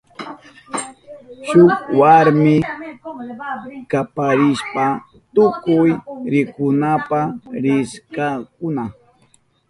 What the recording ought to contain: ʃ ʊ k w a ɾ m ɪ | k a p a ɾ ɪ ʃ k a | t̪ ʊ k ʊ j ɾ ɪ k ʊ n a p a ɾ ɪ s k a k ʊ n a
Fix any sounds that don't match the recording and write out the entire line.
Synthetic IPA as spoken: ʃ ʊ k w a ɾ m ɪ | k a p a ɾ ɪ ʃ p a | t̪ ʊ k ʊ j ɾ ɪ k ʊ n a p a ɾ ɪ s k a k ʊ n a